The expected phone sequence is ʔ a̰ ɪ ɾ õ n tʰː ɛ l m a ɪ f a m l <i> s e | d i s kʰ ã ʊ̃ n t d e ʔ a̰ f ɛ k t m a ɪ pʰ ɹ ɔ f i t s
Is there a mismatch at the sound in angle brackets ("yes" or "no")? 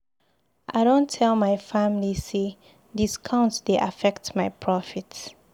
no